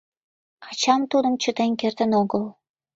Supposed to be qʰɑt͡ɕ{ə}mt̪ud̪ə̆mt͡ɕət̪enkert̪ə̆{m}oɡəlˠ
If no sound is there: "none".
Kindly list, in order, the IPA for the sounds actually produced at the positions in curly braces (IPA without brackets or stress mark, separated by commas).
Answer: ɑ, n